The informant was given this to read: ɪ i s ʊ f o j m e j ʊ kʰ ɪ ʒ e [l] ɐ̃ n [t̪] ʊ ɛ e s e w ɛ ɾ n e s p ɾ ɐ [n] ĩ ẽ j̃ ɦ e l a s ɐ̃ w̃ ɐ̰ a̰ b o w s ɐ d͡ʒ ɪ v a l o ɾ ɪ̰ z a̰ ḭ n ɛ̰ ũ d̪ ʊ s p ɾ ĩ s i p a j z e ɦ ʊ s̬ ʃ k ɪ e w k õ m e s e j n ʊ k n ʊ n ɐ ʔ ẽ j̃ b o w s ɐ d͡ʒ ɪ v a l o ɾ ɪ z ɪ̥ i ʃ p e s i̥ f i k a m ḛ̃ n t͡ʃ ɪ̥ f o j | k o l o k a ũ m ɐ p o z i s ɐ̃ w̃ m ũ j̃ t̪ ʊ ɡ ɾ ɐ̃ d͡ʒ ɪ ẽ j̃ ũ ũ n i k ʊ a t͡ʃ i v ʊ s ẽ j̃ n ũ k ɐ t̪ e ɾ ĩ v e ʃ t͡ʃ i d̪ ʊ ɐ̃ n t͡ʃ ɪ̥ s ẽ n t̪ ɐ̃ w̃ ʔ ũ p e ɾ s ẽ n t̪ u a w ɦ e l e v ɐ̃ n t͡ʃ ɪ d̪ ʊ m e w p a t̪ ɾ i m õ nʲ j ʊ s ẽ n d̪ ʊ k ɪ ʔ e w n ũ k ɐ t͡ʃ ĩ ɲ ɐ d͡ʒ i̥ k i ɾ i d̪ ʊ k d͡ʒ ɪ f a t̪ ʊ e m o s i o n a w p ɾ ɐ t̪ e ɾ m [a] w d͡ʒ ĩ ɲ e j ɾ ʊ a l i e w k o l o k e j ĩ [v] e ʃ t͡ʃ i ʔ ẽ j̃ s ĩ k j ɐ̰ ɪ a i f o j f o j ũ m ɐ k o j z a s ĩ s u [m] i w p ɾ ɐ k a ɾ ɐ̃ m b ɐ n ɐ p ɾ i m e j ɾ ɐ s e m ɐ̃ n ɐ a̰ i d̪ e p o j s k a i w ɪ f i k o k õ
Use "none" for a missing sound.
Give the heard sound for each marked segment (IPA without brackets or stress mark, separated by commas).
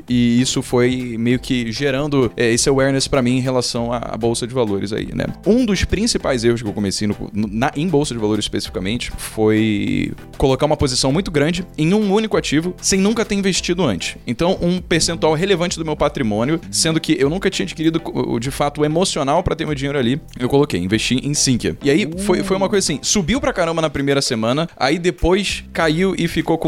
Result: ɾ, d̪, m, e, v, b